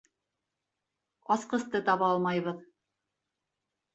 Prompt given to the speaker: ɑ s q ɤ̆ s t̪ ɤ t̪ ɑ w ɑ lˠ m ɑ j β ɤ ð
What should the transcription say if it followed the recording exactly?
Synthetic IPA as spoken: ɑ s q ɤ̆ s t̪ ɤ t̪ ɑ β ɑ lˠ m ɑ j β ɤ ð